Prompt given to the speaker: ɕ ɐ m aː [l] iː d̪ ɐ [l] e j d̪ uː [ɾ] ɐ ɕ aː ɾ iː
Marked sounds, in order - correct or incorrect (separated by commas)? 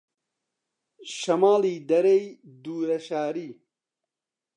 correct, incorrect, correct